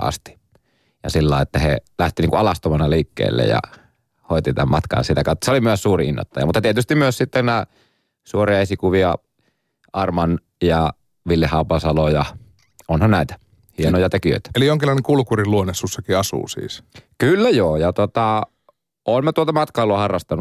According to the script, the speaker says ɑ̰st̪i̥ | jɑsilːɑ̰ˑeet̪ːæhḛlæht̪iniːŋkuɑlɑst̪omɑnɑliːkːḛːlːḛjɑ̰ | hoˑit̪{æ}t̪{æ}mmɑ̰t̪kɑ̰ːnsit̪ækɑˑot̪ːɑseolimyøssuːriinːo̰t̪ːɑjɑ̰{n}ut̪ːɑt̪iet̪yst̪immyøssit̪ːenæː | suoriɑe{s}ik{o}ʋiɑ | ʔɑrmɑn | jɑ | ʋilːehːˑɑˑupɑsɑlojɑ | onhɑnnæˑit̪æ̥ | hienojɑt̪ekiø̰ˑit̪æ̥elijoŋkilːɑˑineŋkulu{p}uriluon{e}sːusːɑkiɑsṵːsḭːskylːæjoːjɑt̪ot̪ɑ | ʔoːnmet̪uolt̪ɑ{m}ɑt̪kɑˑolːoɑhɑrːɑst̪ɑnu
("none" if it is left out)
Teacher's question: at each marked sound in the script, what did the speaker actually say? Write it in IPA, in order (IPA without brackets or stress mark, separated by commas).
i, æ, m, s, u, k, e, m